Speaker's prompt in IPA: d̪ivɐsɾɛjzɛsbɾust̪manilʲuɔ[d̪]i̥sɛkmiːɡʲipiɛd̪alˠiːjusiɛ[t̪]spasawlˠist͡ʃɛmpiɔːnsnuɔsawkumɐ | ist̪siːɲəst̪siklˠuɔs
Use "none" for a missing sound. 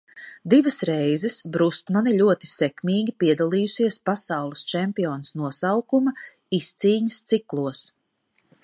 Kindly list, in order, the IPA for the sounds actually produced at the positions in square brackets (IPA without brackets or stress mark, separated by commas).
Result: t̪, none